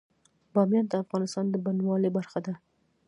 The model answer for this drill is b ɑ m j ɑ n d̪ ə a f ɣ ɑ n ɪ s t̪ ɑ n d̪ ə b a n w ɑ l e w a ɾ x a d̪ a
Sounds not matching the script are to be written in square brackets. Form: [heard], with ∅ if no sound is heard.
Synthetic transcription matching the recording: b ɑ m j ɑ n d̪ ə a f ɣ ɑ n ɪ s t̪ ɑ n d̪ ə b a n w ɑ l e [b] a ɾ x a d̪ a